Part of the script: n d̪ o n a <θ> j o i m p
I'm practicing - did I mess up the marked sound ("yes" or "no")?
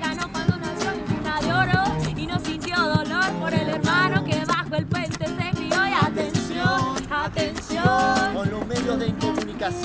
yes